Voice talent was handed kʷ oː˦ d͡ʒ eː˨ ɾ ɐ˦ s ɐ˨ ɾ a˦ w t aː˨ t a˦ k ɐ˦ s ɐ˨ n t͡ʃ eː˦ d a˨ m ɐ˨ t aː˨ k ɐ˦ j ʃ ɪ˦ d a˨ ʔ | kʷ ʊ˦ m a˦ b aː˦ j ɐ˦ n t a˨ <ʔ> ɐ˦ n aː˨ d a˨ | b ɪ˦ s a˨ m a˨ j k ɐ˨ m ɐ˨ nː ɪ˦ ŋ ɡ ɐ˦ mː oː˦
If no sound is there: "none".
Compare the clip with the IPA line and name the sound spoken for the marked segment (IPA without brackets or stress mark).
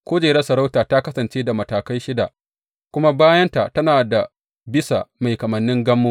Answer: t